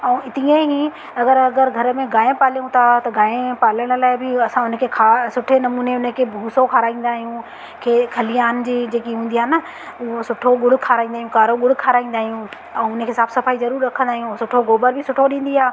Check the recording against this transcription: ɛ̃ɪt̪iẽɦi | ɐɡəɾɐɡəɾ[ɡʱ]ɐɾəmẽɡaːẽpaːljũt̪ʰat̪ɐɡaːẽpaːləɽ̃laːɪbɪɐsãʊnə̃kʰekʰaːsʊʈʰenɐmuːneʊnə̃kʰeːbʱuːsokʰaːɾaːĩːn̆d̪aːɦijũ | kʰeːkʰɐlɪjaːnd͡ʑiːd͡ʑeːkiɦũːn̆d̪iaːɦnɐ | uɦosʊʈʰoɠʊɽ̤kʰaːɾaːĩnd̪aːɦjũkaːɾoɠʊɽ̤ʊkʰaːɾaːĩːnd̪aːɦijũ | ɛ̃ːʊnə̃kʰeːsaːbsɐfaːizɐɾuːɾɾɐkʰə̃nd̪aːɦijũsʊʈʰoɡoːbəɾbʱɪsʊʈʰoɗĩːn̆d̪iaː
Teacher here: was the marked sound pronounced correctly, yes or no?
yes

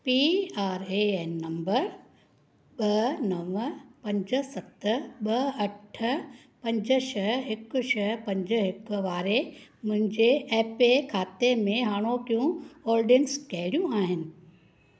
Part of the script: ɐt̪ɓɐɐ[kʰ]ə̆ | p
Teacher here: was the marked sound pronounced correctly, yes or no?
no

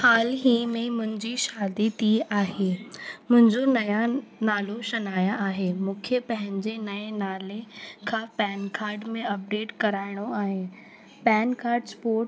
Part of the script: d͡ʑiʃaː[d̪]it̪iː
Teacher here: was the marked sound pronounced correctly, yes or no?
yes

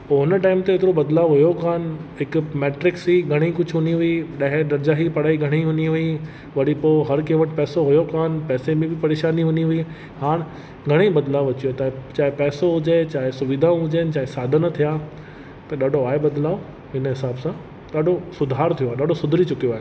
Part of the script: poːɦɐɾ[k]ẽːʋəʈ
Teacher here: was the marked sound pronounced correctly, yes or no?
yes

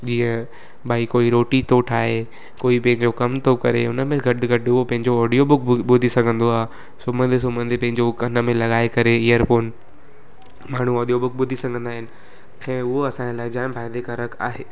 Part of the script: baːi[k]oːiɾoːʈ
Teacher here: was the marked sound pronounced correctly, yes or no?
yes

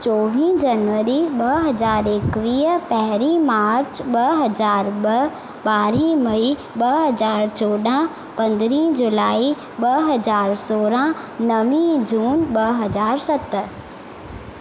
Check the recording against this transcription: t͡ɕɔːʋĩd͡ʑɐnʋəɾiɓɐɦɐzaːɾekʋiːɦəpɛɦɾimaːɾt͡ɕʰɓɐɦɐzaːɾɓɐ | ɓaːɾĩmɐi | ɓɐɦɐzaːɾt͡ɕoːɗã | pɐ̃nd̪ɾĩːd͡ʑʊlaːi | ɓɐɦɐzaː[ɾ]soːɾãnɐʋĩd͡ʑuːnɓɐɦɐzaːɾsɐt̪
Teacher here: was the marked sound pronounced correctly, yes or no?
yes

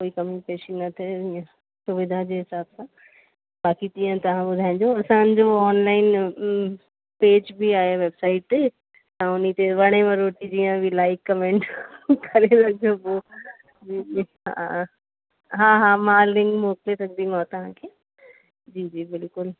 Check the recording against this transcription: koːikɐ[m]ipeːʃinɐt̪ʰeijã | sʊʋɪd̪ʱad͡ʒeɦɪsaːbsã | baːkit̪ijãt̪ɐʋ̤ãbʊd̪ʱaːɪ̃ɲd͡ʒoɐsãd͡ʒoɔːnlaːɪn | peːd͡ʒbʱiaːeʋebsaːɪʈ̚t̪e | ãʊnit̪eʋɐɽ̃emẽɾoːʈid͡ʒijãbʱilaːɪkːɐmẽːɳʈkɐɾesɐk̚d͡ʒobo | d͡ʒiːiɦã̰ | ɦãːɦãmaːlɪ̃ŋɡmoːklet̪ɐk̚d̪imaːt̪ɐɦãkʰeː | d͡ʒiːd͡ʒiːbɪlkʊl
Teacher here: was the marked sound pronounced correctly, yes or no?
yes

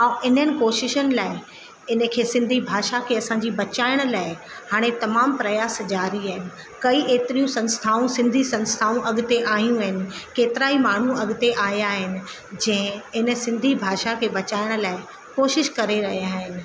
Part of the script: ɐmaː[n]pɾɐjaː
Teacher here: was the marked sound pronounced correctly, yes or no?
no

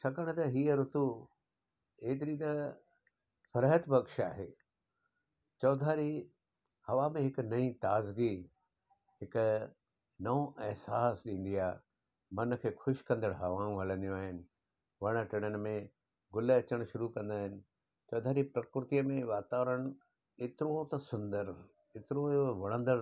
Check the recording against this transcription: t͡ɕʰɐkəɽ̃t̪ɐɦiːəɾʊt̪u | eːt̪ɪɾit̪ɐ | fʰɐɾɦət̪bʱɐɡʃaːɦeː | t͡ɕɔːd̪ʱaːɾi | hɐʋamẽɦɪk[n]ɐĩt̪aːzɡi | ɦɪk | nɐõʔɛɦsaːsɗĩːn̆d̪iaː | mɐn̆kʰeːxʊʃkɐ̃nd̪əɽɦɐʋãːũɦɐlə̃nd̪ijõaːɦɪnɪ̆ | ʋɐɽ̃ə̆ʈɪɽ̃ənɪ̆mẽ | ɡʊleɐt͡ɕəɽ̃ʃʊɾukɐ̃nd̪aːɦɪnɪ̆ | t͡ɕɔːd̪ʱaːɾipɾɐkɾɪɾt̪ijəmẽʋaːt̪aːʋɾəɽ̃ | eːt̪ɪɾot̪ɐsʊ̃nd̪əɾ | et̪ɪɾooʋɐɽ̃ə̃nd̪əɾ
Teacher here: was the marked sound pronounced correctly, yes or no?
yes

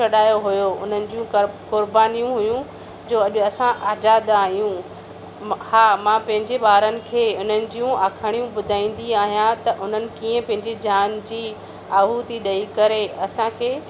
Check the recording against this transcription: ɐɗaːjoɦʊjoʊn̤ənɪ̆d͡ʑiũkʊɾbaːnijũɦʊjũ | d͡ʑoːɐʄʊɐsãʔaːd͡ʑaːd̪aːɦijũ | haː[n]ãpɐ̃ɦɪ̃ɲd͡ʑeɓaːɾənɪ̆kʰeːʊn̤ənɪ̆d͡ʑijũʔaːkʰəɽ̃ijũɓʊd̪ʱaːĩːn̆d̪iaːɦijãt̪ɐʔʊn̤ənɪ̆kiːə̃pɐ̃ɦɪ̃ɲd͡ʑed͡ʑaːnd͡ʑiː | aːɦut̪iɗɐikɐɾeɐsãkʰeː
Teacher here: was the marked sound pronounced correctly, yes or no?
no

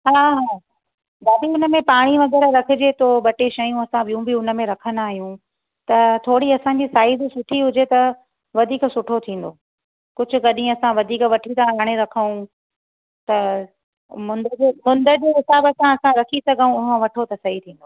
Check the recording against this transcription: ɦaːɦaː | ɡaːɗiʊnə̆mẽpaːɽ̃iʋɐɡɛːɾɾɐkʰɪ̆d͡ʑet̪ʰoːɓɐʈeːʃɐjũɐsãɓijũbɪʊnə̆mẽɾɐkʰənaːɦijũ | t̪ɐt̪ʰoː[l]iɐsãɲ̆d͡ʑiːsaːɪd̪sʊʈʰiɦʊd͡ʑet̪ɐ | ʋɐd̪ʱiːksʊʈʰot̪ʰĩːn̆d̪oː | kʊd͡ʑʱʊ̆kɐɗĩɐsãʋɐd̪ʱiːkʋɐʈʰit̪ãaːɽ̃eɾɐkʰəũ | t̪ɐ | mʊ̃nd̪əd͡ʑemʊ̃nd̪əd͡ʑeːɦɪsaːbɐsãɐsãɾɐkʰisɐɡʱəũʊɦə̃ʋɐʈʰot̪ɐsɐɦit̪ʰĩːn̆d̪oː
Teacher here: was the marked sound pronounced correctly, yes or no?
no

